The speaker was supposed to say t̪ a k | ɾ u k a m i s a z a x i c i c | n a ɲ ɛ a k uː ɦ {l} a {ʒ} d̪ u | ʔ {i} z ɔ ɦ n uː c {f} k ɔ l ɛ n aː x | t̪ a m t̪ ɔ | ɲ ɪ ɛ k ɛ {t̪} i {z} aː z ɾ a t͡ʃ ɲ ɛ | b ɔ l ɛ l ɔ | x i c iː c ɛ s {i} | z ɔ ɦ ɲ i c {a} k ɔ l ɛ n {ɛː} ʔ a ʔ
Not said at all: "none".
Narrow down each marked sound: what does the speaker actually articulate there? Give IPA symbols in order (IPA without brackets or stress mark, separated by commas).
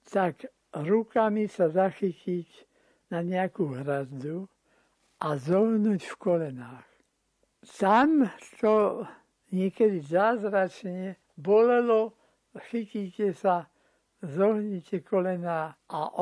ɾ, z, a, f, d̪, z, a, ɛ, aː